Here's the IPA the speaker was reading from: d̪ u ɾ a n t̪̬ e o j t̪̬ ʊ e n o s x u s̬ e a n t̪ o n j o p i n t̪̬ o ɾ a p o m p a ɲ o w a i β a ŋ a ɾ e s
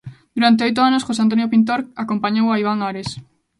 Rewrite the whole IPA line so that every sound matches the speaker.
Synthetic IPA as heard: d̪ u ɾ a n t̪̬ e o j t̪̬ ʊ a n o s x o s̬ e a n t̪ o n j o p i n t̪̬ o ɾ a k o m p a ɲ o w a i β a ŋ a ɾ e s